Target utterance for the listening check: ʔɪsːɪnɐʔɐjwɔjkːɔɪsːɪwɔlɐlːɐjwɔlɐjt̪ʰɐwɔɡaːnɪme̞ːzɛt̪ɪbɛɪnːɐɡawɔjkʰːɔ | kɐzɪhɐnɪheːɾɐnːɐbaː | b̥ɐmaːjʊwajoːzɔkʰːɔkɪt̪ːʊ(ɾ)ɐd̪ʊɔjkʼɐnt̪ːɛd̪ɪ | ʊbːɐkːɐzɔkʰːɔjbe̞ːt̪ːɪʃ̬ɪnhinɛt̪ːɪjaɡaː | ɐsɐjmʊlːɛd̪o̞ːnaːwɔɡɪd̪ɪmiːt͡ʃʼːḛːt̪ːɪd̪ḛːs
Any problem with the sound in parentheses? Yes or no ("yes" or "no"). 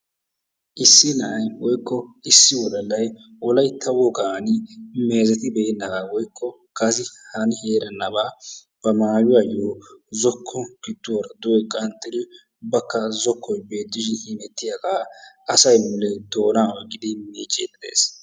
no